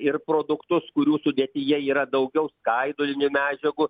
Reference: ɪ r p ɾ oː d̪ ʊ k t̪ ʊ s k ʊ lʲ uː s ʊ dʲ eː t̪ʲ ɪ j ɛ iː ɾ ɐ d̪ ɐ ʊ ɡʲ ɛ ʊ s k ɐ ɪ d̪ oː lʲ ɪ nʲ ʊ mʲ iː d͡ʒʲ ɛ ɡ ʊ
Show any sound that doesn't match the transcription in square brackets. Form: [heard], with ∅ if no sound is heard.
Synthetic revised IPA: ɪ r p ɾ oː d̪ ʊ k t̪ ʊ s k ʊ [ɾʲ] uː s ʊ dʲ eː t̪ʲ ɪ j ɛ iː ɾ ɐ d̪ ɐ ʊ ɡʲ ɛ ʊ s k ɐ ɪ d̪ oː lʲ ɪ nʲ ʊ mʲ [æː] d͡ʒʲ ɛ ɡ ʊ